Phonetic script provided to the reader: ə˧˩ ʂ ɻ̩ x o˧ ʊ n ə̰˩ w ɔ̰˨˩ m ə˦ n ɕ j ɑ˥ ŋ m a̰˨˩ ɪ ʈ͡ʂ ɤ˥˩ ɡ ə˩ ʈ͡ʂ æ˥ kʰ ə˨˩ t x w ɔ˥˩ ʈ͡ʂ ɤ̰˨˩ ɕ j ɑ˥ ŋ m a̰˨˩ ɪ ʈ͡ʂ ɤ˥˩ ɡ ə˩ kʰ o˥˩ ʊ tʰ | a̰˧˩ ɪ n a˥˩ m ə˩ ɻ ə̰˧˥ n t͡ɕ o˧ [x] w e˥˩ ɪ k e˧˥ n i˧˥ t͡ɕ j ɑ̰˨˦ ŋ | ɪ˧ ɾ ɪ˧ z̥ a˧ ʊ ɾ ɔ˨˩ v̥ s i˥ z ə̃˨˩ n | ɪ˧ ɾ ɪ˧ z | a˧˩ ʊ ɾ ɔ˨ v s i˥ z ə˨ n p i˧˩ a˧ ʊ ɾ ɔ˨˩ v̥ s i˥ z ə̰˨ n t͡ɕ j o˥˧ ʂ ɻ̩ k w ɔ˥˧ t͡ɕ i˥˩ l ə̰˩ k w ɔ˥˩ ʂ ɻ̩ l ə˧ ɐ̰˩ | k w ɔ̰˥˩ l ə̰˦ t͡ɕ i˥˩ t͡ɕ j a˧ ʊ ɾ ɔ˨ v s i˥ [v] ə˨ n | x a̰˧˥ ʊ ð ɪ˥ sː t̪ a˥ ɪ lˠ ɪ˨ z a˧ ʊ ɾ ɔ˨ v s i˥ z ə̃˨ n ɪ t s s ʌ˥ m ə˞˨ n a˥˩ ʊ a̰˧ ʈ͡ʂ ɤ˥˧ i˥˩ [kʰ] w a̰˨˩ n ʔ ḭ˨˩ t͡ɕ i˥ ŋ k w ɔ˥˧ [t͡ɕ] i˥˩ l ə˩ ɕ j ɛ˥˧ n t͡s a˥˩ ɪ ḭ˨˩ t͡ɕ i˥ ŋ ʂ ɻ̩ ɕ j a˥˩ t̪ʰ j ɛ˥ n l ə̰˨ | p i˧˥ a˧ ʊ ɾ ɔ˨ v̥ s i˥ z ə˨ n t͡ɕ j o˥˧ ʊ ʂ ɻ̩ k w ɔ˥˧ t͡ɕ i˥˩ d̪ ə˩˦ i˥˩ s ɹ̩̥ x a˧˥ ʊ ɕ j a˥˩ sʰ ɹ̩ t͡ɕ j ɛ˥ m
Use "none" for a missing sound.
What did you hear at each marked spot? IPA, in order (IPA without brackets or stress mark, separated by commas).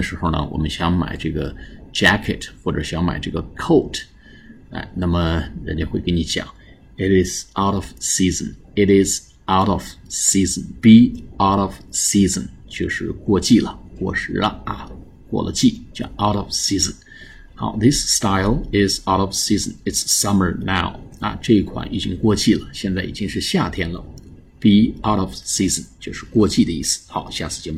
x, z, kʰ, t͡ɕ